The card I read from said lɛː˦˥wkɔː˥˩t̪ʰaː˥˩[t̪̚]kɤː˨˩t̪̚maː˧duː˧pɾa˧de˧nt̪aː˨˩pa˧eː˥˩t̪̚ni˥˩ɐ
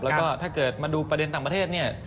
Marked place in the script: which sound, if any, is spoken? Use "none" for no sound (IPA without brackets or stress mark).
none